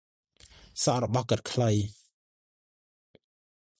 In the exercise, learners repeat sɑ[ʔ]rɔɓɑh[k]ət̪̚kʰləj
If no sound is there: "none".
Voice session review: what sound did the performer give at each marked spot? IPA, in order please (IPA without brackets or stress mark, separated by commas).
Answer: ʔ, k